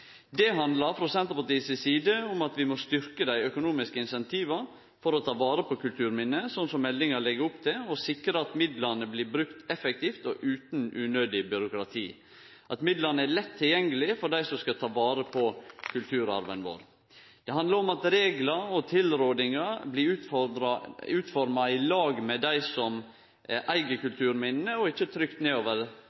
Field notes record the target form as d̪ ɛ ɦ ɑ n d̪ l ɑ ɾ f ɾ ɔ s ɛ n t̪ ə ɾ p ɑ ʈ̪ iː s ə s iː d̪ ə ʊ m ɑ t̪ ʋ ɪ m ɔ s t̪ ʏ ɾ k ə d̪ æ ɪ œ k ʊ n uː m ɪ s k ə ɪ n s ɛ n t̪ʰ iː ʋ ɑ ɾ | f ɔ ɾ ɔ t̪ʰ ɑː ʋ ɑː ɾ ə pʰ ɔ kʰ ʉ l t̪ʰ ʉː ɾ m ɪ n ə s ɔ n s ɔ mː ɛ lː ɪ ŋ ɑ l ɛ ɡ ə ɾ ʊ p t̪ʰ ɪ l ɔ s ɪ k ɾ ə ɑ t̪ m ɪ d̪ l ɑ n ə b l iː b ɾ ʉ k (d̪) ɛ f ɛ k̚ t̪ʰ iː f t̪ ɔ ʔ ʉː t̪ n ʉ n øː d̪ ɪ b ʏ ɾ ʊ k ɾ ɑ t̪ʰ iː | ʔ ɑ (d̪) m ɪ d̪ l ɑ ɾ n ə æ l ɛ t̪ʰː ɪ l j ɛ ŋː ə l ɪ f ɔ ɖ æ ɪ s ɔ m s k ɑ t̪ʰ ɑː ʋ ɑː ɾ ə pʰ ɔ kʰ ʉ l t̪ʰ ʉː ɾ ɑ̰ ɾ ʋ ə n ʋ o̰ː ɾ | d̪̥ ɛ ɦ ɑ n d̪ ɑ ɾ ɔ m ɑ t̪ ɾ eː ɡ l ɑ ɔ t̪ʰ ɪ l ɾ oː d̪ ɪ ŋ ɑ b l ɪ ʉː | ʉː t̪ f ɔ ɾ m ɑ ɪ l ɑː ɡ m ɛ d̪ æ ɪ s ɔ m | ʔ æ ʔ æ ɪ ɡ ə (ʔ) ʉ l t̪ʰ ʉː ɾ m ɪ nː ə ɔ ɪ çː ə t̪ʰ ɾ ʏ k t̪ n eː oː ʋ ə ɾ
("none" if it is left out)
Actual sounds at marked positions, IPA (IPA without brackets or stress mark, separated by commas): t̪, t̪, k